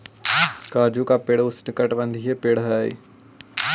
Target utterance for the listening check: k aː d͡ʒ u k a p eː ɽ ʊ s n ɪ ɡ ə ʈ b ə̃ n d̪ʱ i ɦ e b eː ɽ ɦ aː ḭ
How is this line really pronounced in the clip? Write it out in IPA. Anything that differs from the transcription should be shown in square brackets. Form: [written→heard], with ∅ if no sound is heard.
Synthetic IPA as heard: k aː d͡ʒ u k a p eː ɽ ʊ s n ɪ [ɡ→k] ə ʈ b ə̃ n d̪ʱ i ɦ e [b→p] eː ɽ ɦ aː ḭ